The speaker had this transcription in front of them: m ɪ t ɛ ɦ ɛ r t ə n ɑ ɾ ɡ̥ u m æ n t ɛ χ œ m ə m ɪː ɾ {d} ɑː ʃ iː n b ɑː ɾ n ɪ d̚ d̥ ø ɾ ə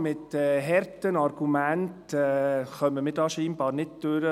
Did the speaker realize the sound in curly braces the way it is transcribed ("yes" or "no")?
yes